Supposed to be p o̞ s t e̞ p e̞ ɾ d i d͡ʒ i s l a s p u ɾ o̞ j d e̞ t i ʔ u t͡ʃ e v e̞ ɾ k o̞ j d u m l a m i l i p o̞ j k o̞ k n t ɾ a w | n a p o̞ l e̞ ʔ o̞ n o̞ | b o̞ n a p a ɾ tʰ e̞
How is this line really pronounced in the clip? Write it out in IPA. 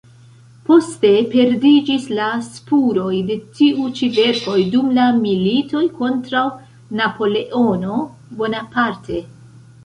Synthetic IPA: p o̞ s t e̞ p e̞ ɾ d i d͡ʒ i s l a s p u ɾ o̞ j d e̞ t i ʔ u t͡ʃ i v e̞ ɾ k o̞ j d u m l a m i l i t o̞ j k o̞ n t ɾ a w | n a p o̞ l e̞ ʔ o̞ n o̞ | b o̞ n a p a ɾ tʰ e̞